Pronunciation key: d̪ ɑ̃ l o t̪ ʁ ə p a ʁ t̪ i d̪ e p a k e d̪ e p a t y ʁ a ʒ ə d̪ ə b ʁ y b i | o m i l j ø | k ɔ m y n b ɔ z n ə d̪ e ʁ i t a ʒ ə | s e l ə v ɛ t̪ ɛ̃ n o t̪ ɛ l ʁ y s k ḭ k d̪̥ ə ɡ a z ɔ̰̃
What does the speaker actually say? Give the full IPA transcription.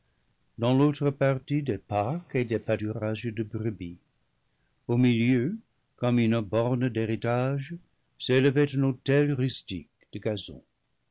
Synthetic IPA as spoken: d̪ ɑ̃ l o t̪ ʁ ə p a ʁ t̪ i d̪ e p a k e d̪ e p a t y ʁ a ʒ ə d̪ ə b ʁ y b i | o m i l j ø | k ɔ m y n b ɔ ʁ n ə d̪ e ʁ i t a ʒ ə | s e l ə v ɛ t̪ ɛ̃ n o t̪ ɛ l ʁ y s t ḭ k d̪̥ ə ɡ a z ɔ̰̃